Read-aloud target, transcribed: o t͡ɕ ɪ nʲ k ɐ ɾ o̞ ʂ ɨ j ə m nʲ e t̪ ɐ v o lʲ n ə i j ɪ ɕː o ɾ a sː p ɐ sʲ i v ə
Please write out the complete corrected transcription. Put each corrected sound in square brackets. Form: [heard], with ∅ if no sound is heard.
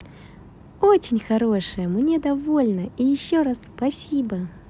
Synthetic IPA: o t͡ɕ ɪ nʲ [x] ɐ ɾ o̞ ʂ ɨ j ə m nʲ e [d̪] ɐ v o lʲ n ə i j ɪ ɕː o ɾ a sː p ɐ sʲ i [b] ə